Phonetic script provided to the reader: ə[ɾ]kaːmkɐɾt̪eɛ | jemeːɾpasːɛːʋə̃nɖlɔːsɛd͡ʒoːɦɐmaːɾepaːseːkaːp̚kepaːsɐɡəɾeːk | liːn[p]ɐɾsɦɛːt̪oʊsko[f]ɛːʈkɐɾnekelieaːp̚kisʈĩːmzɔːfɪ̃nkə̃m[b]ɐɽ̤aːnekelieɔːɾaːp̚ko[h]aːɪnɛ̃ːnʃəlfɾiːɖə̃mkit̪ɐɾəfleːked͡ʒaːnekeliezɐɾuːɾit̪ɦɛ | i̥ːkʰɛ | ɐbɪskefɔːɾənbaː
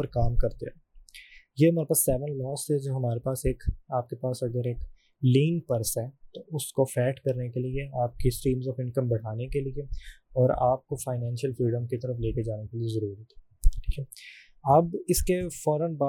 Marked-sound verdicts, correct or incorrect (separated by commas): correct, correct, correct, correct, incorrect